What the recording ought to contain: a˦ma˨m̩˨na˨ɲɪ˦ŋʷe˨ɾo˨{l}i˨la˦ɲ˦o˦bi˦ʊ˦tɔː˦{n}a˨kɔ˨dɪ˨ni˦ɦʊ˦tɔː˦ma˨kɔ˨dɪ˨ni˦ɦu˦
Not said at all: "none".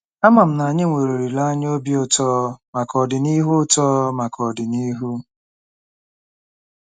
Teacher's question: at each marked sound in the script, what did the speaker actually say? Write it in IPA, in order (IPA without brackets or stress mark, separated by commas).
ɾ, m